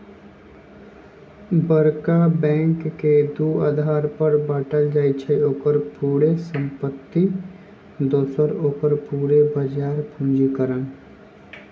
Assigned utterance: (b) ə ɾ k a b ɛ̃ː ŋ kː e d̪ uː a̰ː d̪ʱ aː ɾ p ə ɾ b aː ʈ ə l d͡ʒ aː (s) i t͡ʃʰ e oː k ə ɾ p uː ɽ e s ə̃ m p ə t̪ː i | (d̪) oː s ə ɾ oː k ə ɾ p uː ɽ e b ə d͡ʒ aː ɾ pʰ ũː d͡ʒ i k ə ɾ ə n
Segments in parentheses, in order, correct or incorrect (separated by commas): correct, incorrect, correct